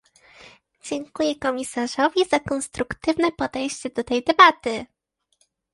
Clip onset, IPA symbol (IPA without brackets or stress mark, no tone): d͡ʑ